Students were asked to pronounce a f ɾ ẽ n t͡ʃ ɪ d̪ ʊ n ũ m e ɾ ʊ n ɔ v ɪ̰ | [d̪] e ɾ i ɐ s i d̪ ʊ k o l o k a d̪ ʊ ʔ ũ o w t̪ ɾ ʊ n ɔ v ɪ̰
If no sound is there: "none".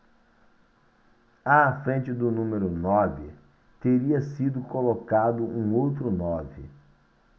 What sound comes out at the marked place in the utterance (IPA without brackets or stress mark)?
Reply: t̪